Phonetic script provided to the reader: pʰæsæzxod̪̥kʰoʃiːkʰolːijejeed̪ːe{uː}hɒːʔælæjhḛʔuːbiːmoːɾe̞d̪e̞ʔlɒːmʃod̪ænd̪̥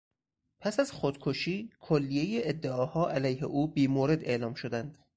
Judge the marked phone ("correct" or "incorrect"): incorrect